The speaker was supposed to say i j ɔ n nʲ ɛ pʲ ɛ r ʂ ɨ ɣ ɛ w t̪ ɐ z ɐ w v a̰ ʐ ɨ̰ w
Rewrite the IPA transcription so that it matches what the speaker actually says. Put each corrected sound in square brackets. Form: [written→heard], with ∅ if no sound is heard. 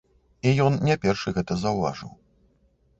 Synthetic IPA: i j ɔ n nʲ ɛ pʲ ɛ r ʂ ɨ ɣ ɛ [w→∅] t̪ ɐ z ɐ w v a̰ ʐ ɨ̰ w